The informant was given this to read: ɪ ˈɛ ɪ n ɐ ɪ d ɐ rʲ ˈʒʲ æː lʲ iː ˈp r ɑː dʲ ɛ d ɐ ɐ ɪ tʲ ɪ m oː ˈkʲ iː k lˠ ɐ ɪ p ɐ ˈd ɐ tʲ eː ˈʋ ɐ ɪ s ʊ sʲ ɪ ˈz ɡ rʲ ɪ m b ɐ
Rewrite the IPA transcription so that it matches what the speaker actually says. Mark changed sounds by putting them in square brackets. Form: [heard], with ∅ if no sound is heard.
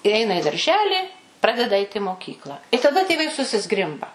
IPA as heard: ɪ ˈɛ ɪ n ɐ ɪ d ɐ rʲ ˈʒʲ æː lʲ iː ˈp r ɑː dʲ ɛ d ɐ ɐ ɪ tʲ ɪ m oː ˈkʲ iː k lˠ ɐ ɪ [t] ɐ ˈd ɐ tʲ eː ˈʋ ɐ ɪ s ʊ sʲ ɪ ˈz ɡ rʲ ɪ m b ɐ